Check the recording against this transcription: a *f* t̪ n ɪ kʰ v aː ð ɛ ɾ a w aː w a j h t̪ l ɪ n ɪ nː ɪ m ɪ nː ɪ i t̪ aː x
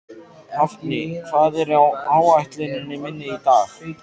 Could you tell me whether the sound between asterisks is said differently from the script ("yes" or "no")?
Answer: no